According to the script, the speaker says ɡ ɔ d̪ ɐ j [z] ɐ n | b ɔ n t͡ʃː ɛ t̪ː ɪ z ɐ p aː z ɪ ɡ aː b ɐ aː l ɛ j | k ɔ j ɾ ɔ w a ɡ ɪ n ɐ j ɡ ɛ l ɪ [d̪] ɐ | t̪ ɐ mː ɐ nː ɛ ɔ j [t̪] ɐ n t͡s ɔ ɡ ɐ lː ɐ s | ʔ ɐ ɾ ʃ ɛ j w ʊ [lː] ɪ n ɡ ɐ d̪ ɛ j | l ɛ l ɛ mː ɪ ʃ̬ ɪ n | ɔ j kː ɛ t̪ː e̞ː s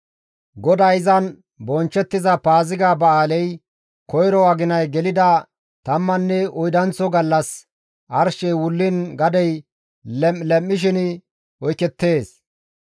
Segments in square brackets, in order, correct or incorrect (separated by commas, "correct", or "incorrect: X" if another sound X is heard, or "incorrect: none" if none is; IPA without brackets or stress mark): correct, correct, incorrect: d̪, correct